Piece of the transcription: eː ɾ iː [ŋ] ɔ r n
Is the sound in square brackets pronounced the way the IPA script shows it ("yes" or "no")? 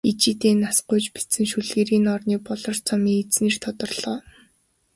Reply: no